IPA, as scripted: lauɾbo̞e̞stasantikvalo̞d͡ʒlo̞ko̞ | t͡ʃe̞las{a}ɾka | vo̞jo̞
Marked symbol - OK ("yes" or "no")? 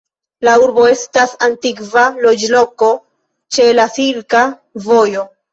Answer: no